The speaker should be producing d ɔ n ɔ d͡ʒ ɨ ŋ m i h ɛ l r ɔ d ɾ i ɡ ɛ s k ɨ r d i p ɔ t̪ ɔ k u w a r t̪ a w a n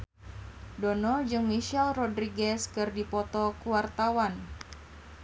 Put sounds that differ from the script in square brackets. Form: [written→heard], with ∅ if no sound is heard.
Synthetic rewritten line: d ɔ n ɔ d͡ʒ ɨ ŋ m i [h→ʃ] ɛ l r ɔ d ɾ i ɡ ɛ s k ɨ r d i p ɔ t̪ ɔ k u w a r t̪ a w a n